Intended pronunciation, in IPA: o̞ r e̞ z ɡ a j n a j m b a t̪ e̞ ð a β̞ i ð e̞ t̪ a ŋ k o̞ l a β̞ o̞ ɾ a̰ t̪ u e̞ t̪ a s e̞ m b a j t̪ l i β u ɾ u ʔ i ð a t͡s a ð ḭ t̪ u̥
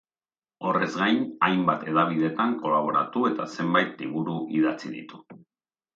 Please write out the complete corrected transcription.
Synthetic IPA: o̞ r e̞ z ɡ a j n a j m b a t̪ e̞ ð a β̞ i ð e̞ t̪ a ŋ k o̞ l a β̞ o̞ ɾ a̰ t̪ u e̞ t̪ a s e̞ m b a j t̪ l i β u ɾ u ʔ i ð a t͡s i ð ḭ t̪ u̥